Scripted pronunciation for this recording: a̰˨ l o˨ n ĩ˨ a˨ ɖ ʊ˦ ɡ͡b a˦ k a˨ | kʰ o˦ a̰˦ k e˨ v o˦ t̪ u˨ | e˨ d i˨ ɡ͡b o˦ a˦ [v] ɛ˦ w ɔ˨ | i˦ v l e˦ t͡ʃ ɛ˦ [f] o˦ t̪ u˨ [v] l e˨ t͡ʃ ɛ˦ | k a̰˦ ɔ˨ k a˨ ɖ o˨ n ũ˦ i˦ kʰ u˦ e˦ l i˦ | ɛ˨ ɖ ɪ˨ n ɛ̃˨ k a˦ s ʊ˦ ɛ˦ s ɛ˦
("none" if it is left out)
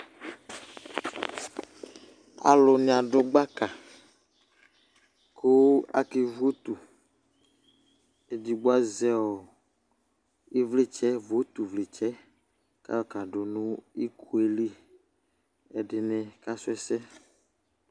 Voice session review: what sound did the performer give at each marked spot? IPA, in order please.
z, v, v

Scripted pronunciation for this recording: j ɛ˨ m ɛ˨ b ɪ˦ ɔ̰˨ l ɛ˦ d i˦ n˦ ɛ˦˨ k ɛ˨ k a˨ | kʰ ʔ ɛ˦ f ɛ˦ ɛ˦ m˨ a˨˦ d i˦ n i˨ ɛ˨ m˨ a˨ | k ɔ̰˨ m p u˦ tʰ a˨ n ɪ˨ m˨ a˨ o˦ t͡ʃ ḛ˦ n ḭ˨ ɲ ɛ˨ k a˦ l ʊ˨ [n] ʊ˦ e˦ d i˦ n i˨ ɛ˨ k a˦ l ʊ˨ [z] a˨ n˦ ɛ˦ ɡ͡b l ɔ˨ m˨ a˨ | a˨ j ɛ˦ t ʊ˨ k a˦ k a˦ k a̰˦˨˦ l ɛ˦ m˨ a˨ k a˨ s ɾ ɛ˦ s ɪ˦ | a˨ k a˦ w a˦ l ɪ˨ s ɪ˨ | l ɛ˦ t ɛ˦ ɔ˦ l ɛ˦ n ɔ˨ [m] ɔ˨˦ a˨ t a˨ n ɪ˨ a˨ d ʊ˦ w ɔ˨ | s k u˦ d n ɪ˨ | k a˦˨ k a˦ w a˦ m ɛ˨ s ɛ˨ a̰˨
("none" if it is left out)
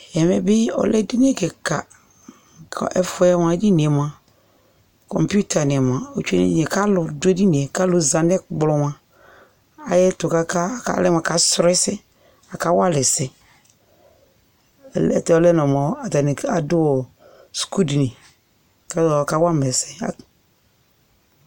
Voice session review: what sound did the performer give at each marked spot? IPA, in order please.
d, z, m

